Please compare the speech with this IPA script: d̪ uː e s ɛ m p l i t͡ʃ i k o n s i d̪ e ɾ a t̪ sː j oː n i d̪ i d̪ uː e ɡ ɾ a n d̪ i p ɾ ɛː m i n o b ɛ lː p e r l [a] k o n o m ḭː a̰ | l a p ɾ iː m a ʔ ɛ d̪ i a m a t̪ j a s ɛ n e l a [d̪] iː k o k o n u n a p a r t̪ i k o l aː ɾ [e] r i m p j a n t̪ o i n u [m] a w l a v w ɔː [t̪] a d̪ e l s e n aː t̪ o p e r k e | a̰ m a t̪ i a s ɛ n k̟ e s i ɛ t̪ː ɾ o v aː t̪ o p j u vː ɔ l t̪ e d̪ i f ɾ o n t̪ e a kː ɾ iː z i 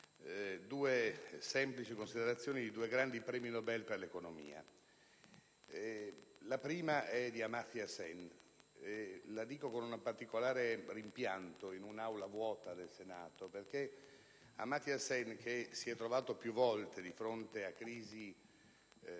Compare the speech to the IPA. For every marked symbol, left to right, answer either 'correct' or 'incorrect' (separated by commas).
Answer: incorrect, correct, correct, incorrect, correct